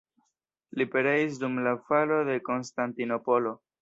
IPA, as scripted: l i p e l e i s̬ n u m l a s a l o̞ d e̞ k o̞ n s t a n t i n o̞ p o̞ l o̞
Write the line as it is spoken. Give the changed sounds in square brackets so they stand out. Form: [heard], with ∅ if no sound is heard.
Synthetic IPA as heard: l i p e [ɾ] e i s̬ [d] u m l a [f] a l o̞ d e̞ k o̞ n s t a n t i n o̞ p o̞ l o̞